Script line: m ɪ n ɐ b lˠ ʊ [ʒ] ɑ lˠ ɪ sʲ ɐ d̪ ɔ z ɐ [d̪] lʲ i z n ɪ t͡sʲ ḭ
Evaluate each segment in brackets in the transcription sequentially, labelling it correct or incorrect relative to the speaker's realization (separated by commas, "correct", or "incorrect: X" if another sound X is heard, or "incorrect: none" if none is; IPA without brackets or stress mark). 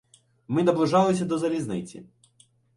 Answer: correct, incorrect: none